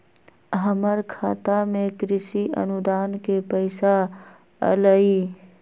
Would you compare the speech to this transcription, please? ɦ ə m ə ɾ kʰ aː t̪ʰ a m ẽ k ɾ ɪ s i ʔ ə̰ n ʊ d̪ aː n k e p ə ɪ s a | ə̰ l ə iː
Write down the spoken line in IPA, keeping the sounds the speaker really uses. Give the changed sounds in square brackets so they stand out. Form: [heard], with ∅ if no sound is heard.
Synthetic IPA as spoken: ɦ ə m ə ɾ kʰ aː [t̪] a m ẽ k ɾ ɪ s i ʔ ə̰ n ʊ d̪ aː n k e p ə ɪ s a | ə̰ l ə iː